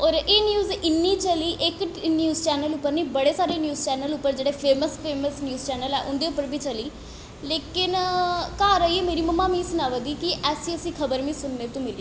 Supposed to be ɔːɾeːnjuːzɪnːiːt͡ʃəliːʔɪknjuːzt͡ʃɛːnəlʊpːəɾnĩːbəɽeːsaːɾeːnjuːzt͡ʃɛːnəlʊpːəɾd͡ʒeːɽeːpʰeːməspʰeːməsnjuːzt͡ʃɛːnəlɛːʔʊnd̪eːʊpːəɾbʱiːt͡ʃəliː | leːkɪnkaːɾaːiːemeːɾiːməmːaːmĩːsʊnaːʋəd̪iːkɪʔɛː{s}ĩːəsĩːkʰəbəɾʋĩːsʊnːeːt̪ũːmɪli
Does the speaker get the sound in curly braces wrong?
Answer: no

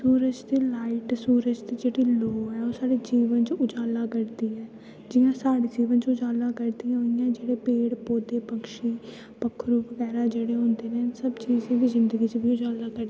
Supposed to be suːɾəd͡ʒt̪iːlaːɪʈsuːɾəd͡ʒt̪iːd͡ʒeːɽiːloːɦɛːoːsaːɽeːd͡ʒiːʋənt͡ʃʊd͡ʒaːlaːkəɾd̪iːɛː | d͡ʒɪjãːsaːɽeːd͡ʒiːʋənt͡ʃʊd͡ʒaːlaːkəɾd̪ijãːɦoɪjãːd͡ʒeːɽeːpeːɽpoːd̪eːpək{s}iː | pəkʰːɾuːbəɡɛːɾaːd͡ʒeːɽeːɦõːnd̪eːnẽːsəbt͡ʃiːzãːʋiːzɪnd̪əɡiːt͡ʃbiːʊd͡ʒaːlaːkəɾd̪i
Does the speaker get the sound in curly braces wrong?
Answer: yes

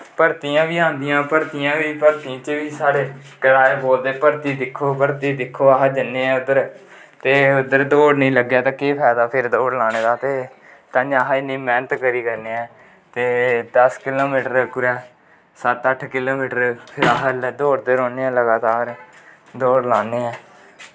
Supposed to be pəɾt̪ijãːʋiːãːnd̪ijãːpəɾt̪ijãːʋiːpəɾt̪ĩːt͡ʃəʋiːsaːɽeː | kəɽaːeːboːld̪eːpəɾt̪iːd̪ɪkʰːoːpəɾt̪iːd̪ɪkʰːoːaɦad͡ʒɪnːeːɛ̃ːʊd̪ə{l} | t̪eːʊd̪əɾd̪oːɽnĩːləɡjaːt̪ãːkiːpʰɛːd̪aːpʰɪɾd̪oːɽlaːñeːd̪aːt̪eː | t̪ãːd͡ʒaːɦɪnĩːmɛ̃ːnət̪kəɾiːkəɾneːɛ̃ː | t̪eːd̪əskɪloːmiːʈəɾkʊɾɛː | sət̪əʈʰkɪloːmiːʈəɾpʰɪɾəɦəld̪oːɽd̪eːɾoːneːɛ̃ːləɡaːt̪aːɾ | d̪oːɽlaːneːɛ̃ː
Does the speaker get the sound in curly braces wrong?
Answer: yes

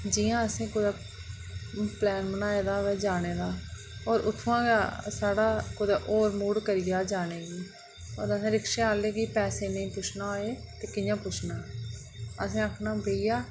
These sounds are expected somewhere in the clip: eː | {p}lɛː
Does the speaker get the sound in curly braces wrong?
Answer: no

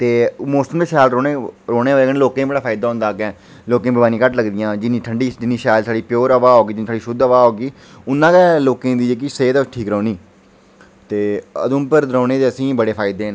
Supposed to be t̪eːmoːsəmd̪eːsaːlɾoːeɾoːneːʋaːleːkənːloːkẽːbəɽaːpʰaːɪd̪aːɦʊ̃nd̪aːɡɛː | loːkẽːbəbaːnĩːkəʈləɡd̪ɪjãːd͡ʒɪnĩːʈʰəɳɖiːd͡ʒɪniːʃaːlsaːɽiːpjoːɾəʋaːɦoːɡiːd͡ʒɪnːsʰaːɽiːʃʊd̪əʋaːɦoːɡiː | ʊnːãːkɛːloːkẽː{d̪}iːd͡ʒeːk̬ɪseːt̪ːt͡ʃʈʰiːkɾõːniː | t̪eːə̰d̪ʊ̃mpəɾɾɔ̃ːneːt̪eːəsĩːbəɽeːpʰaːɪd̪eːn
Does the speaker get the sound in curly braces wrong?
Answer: no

